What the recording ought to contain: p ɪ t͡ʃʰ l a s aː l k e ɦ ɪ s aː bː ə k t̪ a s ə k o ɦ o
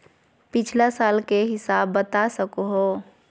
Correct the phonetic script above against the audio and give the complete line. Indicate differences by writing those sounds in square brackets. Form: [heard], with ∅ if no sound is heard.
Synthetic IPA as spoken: p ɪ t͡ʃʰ l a s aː l k e ɦ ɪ s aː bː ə [∅] t̪ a s ə k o ɦ o